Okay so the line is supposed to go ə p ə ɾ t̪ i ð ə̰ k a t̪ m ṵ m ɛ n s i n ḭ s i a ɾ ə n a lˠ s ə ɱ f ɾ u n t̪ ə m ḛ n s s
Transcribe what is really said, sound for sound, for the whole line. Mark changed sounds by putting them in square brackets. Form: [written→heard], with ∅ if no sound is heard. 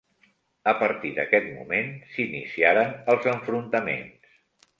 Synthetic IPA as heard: ə p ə ɾ t̪ i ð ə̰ k [a→ɛ] t̪ m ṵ m [ɛ→e] n s i n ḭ s i a ɾ ə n [a→ə] lˠ [s→z] ə ɱ f ɾ u n t̪ ə m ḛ n s s